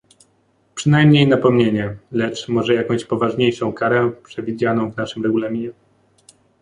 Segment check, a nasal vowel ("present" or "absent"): present